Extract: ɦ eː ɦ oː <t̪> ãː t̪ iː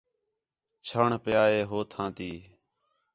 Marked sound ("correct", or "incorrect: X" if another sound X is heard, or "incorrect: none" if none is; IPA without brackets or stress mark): incorrect: t̪ʰ